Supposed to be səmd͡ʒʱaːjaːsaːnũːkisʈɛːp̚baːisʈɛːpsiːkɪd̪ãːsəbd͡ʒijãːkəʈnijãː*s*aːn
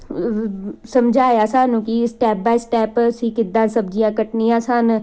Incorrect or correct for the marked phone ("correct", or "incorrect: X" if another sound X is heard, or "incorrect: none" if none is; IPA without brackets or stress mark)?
correct